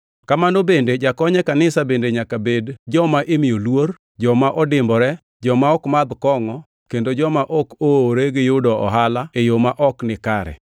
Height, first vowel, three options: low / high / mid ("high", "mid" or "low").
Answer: low